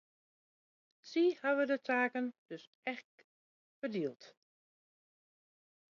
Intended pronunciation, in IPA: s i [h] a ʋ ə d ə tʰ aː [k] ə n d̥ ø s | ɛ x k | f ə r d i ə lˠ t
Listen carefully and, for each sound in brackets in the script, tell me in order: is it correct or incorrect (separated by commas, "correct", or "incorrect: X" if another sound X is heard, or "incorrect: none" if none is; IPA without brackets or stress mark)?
correct, correct